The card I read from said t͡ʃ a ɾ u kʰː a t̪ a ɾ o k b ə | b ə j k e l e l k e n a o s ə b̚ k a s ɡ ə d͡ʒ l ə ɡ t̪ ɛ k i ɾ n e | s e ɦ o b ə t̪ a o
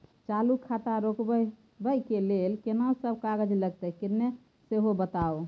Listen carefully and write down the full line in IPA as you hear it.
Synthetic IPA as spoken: t͡ʃ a l u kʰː a t̪ a ɾ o k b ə | b ə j k e l e l k e n a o s ə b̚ k a ɡ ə d͡ʒ l ə ɡ t̪ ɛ k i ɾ n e | s e ɦ o b ə t̪ a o